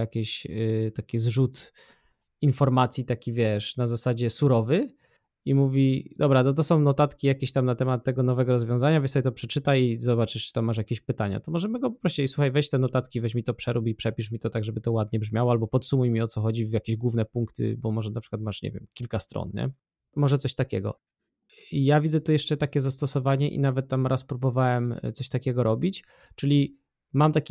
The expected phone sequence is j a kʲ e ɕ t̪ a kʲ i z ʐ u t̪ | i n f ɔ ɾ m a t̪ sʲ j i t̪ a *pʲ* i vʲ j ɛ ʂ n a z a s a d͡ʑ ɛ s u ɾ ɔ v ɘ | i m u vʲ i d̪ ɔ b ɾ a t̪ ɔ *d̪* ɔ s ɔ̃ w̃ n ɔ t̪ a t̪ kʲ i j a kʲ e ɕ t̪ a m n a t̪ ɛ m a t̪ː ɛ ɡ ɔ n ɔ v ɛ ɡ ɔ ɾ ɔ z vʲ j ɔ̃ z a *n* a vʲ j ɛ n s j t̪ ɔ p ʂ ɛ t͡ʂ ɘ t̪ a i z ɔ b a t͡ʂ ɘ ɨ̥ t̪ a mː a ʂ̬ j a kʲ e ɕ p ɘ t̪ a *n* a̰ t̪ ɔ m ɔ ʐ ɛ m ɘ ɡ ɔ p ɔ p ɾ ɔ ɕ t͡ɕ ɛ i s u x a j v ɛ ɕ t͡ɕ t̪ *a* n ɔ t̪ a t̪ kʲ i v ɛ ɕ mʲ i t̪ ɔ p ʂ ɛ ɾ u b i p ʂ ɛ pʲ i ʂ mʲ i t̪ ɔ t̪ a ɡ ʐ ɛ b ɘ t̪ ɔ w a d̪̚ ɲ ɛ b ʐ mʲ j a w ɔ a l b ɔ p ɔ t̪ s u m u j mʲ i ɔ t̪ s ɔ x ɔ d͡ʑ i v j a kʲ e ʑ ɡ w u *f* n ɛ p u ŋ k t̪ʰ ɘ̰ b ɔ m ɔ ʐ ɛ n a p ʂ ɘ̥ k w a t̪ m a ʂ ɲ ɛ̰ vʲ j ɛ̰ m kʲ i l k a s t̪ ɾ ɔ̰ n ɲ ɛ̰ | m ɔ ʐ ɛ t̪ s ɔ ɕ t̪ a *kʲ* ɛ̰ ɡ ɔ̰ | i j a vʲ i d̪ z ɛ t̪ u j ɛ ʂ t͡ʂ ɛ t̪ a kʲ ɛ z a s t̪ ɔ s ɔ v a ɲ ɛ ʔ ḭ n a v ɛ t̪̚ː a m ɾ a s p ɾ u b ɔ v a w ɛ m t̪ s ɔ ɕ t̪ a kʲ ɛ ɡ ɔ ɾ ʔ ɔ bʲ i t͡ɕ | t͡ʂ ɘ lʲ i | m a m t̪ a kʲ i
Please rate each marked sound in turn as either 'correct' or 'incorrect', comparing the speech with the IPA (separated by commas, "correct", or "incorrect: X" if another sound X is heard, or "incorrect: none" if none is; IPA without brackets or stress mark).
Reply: incorrect: kʲ, incorrect: t̪, incorrect: ɲ, incorrect: ɲ, incorrect: ɛ, incorrect: v, correct